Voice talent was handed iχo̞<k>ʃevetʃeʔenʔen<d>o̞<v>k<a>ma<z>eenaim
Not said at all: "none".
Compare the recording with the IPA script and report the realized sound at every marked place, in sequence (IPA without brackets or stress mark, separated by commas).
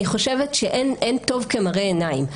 none, t, v, e, ʁ